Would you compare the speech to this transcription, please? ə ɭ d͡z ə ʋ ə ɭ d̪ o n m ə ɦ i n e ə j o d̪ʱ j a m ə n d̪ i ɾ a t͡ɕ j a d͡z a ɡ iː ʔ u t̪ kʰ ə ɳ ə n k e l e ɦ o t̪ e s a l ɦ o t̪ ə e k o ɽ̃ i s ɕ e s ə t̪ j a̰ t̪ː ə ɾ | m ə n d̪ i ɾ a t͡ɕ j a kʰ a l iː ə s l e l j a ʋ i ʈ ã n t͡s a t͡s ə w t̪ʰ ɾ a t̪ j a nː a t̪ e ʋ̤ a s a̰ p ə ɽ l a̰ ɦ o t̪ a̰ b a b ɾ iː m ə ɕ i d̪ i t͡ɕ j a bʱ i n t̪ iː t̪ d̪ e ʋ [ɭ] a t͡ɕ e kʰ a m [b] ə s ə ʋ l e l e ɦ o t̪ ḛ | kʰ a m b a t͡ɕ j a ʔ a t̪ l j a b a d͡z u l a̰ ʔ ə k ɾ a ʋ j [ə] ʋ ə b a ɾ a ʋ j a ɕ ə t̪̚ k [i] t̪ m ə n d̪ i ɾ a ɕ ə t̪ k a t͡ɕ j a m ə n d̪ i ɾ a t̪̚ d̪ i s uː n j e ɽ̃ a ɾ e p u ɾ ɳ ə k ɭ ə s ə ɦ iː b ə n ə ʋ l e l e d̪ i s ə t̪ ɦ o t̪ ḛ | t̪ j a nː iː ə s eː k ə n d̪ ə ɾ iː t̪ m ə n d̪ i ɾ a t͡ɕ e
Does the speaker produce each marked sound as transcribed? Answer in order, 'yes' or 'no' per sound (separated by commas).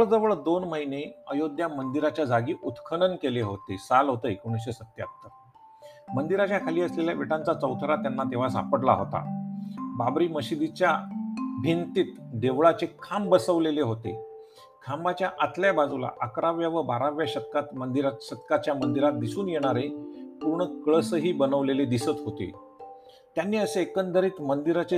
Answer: yes, yes, no, no